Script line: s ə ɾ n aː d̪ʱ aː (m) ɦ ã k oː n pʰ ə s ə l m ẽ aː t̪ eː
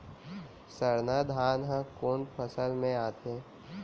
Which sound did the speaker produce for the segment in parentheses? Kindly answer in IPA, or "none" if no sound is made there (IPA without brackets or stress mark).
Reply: n